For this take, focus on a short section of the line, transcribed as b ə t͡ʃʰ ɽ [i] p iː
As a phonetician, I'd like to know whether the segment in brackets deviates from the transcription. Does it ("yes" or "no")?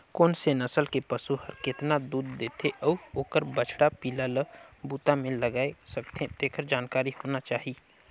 yes